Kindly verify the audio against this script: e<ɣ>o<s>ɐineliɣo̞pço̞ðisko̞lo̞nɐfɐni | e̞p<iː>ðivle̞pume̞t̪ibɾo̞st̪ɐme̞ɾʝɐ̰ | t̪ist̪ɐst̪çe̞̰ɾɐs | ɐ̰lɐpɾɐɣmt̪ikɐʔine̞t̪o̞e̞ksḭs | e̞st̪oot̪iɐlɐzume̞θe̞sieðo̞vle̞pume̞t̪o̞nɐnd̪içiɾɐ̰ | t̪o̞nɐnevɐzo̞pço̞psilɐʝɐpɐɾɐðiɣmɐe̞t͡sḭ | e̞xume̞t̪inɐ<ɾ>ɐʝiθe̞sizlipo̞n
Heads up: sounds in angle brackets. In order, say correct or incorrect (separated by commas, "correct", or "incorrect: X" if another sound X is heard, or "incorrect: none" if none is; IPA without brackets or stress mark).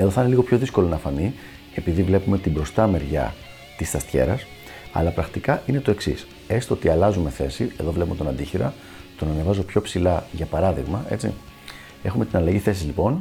incorrect: ð, incorrect: θ, incorrect: i, incorrect: l